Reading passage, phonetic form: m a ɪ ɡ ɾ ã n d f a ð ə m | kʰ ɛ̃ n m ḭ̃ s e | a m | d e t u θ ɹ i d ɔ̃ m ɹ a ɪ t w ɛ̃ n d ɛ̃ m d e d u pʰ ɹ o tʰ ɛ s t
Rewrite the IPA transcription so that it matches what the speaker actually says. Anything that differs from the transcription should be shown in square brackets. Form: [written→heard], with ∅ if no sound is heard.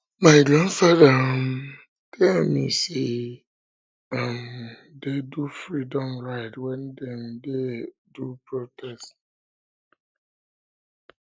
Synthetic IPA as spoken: m a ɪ ɡ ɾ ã n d f a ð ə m | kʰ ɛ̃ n m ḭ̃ s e | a m | d e [t→d] u [θ→f] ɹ i d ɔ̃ m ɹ a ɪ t w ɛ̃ n d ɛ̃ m d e d u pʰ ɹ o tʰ ɛ s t